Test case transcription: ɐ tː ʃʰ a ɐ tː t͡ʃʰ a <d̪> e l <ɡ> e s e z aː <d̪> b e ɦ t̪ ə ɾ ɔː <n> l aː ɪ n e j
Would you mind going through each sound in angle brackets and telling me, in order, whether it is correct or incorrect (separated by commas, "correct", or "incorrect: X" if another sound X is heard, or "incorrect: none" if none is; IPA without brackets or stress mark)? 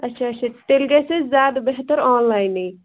incorrect: t̪, correct, correct, correct